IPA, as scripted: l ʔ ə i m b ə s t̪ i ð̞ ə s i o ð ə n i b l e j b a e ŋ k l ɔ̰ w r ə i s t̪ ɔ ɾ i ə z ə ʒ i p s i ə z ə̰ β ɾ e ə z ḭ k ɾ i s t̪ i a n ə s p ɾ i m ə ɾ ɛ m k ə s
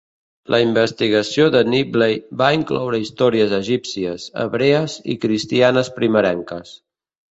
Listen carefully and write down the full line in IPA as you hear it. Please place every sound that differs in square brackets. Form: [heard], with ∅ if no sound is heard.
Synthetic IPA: l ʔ ə i m b ə s t̪ i [ɣ̞] ə s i o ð ə n i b l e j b a [i] ŋ k l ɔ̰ w [ɾ] ə i s t̪ ɔ ɾ i ə z ə ʒ i p s i ə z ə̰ β ɾ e ə z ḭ k ɾ i s t̪ i a n ə s p ɾ i m ə ɾ ɛ [ŋ] k ə s